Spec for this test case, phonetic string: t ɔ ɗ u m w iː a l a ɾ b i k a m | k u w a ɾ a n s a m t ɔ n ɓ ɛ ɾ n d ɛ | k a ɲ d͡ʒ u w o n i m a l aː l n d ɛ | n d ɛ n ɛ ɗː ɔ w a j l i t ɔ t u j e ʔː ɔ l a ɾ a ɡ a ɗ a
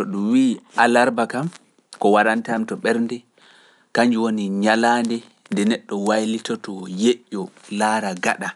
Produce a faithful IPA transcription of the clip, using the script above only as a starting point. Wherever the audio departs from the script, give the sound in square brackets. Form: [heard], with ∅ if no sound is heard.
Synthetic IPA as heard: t ɔ ɗ u m w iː a l a ɾ b [a] k a m | k [ɔ] w a ɾ a n [t] a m t ɔ [∅] ɓ ɛ ɾ n d ɛ | k a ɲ d͡ʒ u w o n i [ɲ] a l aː [∅] n d ɛ | n d ɛ n ɛ ɗː ɔ w a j l i t ɔ t [ɔ] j e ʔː ɔ l a ɾ a ɡ a ɗ a